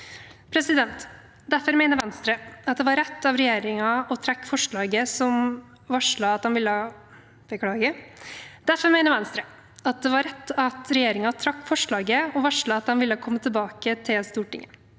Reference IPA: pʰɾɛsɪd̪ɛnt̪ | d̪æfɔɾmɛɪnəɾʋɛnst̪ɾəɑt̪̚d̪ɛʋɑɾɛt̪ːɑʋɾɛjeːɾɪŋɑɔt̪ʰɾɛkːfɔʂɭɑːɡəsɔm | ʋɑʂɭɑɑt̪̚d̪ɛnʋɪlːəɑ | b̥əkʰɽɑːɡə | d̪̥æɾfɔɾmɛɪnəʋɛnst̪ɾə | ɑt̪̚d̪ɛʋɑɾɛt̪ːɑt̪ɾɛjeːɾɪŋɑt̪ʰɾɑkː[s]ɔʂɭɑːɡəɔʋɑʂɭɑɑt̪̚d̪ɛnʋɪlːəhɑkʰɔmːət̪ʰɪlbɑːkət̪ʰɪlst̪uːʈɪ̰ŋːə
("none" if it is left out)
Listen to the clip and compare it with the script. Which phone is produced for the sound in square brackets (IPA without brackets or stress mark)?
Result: f